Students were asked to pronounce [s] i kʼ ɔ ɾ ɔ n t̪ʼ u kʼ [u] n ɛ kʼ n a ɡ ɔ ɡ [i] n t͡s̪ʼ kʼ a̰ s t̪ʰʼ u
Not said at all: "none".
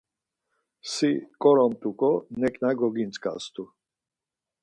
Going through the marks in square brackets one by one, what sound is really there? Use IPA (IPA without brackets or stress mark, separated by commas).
s, ɔ, i